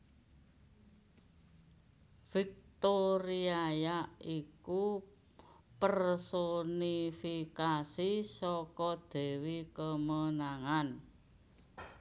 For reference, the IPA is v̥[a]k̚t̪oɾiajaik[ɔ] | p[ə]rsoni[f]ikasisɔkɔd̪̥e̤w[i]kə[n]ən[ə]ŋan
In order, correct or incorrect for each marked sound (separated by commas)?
incorrect, incorrect, correct, correct, correct, incorrect, incorrect